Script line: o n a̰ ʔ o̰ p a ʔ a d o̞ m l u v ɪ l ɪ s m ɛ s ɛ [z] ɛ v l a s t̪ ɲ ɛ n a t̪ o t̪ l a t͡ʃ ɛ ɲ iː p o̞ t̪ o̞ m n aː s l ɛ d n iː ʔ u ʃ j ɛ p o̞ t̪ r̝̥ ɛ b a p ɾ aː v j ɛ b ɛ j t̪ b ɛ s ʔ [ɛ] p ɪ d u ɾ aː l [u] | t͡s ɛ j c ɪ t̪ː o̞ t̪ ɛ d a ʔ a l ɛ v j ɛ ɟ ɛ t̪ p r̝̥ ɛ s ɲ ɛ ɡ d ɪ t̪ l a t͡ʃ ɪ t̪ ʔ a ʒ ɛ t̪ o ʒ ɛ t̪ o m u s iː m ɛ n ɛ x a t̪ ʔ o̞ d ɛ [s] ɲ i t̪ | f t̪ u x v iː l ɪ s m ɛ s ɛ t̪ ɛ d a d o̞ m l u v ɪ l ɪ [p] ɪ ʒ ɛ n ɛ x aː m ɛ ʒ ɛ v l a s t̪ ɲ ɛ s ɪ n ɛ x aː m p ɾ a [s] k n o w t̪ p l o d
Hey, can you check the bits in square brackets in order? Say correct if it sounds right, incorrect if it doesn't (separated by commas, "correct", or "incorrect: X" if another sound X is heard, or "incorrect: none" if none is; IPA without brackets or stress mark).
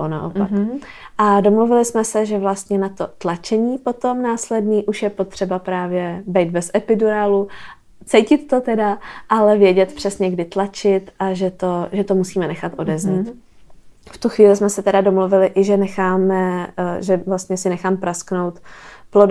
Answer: incorrect: ʒ, correct, correct, incorrect: z, incorrect: ʔ, correct